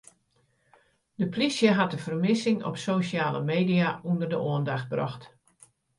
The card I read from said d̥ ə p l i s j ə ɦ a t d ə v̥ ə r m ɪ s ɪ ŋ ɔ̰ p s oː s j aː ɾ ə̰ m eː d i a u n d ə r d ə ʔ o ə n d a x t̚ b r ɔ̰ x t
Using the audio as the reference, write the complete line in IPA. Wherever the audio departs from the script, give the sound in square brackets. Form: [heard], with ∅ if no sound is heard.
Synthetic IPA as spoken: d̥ ə p l i s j ə ɦ a t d ə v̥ ə r m ɪ s ɪ ŋ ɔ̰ p s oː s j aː [l] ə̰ m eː d i a u n d ə r d ə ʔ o ə n d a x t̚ b r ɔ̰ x t